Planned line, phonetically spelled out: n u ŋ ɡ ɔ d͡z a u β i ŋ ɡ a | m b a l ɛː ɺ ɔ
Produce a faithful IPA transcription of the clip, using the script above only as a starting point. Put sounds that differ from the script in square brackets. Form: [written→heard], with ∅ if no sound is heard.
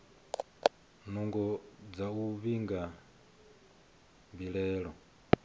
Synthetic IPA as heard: n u ŋ ɡ ɔ d͡z a u β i ŋ ɡ a | m b [a→i] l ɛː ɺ ɔ

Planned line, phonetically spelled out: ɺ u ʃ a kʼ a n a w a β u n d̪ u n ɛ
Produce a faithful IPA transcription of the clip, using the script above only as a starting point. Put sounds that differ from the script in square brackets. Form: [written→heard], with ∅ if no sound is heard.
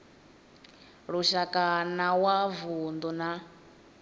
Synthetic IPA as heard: ɺ u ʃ a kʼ a n a w a [β→v] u n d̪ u n [ɛ→a]

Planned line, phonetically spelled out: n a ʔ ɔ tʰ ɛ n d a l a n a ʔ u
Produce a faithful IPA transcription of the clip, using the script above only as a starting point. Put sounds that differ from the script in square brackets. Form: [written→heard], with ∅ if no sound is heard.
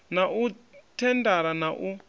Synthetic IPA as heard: n a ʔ [ɔ→u] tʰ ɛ n d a [l→ɾ] a n a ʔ u

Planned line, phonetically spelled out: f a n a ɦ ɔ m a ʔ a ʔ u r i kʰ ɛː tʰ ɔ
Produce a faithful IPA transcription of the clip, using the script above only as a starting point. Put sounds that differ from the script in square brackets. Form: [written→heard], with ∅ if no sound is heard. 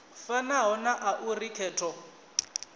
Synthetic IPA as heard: f a n a ɦ ɔ [m→n] a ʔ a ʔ u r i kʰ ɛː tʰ ɔ

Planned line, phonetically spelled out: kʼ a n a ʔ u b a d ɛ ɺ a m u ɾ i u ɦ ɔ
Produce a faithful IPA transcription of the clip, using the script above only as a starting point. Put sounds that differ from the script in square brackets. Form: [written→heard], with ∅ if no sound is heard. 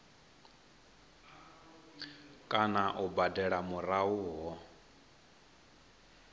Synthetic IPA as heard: kʼ a n a ʔ u b a d ɛ ɺ a m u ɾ [i→a] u ɦ ɔ

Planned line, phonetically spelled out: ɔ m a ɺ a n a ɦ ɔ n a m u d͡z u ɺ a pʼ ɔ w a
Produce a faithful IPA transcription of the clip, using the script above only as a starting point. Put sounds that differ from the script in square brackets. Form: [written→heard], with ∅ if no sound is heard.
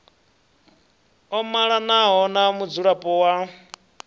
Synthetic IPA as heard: ɔ m a ɺ a n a ɦ ɔ n a m u d͡z u ɺ a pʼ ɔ w a

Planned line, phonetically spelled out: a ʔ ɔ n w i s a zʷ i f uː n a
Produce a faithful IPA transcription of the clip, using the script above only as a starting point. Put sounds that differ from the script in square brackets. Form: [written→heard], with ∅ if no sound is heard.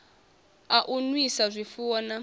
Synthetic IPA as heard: a ʔ [ɔ→u] n w i s a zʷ i f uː n a

